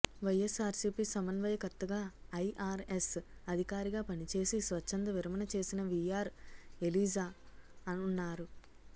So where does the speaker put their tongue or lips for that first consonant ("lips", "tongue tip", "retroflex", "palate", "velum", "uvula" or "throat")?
lips